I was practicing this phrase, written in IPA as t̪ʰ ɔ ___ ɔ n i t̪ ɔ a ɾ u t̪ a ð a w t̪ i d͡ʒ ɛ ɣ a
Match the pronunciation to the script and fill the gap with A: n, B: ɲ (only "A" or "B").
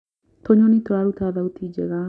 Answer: B